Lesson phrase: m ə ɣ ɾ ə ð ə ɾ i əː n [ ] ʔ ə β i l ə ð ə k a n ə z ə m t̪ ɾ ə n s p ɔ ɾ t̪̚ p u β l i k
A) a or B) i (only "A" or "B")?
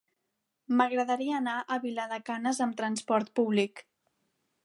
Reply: A